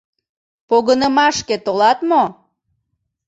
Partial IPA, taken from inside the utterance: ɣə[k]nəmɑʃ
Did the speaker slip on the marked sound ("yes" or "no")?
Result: yes